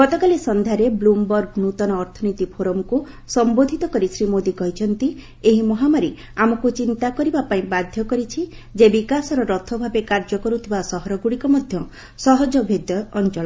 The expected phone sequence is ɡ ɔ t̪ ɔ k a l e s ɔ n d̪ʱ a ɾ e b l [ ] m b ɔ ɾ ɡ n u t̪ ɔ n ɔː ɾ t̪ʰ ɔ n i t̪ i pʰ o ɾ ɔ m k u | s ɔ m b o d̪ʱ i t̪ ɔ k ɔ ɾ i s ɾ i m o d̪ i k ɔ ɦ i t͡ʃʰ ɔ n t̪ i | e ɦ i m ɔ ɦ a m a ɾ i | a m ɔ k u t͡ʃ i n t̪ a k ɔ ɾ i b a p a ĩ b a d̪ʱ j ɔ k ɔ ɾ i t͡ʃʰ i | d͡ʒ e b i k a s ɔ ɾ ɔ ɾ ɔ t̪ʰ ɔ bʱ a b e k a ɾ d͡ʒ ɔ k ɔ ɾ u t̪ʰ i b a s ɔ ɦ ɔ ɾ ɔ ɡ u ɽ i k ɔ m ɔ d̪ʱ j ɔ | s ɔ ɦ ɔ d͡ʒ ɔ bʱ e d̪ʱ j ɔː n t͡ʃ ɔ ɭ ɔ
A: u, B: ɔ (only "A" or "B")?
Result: A